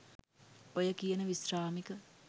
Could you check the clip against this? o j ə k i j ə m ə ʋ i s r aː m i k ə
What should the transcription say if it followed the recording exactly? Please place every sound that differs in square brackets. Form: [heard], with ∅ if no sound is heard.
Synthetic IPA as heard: o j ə k i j ə [n] ə ʋ i s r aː m i k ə